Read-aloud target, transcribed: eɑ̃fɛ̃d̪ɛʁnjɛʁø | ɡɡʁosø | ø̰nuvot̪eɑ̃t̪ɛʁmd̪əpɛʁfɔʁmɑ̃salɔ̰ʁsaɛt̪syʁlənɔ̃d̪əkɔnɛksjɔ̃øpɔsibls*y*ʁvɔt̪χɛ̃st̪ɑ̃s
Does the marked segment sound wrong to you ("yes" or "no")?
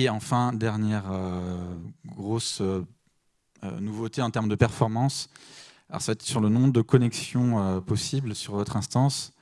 no